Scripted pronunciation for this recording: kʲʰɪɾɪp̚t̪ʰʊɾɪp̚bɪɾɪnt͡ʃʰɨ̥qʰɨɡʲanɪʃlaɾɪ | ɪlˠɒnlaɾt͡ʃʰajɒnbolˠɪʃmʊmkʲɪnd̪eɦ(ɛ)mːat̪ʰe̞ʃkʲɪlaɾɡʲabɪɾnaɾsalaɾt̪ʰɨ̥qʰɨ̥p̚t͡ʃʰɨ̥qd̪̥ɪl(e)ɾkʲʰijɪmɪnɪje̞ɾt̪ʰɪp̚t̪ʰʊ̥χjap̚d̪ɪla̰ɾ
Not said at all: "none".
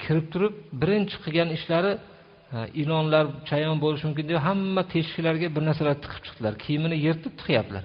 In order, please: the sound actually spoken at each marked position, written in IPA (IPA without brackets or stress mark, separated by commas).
a, a